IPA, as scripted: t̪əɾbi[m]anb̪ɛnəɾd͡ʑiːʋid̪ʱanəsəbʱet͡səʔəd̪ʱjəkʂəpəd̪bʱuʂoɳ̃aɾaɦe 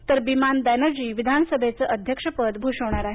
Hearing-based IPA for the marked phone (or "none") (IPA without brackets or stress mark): m